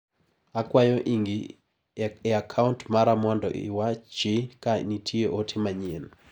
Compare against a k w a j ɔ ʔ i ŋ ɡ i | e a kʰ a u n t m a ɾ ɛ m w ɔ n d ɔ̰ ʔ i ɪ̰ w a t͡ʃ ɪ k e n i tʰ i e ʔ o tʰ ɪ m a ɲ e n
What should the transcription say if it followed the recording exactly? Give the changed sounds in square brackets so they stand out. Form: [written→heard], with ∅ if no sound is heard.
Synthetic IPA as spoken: a k w a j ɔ ʔ i ŋ ɡ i | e a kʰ a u n t m a ɾ [ɛ→a] m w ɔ n d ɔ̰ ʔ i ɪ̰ w a t͡ʃ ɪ k [e→a] n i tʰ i e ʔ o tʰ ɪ m a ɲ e n